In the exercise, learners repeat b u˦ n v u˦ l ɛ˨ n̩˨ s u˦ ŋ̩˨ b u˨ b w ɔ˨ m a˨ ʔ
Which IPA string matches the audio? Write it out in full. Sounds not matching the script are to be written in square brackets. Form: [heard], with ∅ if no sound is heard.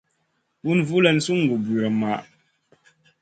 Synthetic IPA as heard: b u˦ n v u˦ l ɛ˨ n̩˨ s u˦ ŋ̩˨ [ɡ] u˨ b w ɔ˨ m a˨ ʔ